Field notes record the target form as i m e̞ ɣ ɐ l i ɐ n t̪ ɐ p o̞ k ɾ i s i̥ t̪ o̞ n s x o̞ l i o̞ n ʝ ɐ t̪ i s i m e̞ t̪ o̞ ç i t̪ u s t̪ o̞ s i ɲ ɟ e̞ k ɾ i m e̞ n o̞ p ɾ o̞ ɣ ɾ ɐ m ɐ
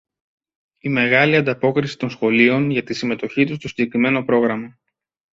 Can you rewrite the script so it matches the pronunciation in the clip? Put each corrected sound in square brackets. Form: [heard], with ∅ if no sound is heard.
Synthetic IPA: i m e̞ ɣ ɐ l i ɐ n [d̪] ɐ p o̞ k ɾ i s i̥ t̪ o̞ n s x o̞ l i o̞ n ʝ ɐ t̪ i s i m e̞ t̪ o̞ ç i t̪ u s t̪ o̞ s i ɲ ɟ e̞ k ɾ i m e̞ n o̞ p ɾ o̞ ɣ ɾ ɐ m ɐ